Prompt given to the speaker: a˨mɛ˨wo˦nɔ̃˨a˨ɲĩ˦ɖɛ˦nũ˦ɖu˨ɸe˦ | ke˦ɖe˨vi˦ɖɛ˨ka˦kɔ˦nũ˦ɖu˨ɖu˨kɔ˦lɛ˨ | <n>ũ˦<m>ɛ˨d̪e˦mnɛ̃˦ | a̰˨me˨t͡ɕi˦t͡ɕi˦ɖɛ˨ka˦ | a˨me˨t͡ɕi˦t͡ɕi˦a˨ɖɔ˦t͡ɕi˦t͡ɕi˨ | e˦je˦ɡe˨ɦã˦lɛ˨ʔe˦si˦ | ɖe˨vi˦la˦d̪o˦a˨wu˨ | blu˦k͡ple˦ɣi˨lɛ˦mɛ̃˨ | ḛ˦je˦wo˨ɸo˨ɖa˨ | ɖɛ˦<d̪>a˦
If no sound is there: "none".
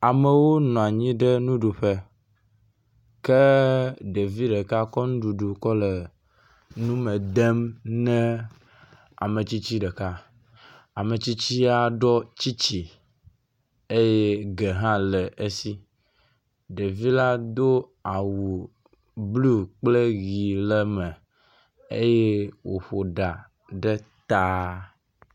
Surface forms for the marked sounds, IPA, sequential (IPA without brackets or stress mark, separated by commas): n, m, t̪